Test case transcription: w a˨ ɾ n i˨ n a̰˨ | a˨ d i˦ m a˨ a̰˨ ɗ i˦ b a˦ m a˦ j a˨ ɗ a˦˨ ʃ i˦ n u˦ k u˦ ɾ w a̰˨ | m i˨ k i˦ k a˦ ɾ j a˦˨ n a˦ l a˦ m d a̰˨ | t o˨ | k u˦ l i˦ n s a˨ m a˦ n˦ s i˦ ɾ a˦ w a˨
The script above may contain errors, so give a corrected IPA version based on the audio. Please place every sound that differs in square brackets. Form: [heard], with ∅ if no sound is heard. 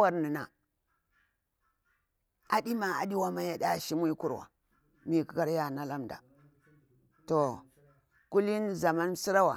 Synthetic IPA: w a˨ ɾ n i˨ n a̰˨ | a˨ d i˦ m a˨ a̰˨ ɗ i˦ [w] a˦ m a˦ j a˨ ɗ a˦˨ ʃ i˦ [m] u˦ k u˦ ɾ w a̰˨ | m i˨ k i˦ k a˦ ɾ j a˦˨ n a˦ l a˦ m d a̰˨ | t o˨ | k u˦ l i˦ n [z] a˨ m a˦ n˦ s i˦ ɾ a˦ w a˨